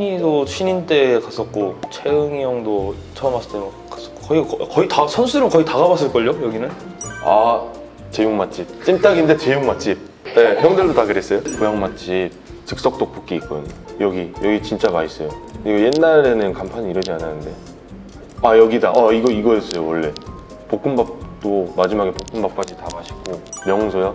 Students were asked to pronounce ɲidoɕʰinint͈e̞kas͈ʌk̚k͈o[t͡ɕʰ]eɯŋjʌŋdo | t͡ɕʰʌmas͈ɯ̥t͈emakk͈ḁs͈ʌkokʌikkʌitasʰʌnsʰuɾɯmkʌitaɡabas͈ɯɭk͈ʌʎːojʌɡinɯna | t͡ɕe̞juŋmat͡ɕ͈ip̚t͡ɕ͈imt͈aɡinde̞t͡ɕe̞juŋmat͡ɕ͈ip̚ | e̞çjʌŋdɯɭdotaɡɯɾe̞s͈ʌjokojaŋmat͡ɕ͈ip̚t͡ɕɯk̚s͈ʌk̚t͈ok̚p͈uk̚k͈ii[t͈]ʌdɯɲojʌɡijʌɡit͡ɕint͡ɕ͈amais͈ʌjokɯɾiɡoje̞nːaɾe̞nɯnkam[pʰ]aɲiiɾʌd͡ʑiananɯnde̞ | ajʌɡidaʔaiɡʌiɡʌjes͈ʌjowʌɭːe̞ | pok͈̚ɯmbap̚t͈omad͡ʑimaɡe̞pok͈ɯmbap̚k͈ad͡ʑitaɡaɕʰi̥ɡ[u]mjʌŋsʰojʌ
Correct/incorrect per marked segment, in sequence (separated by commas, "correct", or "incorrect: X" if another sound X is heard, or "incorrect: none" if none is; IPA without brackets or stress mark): correct, incorrect: k͈, correct, incorrect: o